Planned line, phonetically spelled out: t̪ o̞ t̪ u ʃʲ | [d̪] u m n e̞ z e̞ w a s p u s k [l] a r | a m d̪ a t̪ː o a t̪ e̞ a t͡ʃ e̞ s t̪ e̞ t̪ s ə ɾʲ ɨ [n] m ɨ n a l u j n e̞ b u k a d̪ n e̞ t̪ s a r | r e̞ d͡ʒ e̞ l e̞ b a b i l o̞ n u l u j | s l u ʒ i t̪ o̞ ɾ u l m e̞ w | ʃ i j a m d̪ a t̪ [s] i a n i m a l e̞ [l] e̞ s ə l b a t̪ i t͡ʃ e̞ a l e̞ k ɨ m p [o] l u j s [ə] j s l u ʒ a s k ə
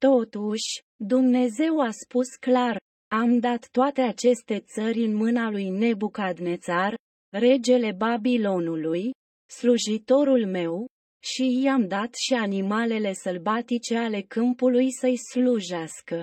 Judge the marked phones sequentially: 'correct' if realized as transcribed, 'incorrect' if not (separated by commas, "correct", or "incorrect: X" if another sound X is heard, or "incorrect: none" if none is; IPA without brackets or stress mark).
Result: correct, correct, correct, incorrect: ʃ, correct, incorrect: u, correct